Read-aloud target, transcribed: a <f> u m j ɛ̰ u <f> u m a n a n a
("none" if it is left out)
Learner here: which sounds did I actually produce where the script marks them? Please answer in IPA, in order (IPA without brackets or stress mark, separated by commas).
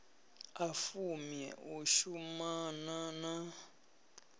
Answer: f, ʃ